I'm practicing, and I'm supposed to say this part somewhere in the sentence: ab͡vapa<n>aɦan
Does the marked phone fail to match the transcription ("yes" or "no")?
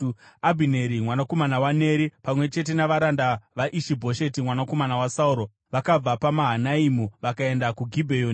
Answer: yes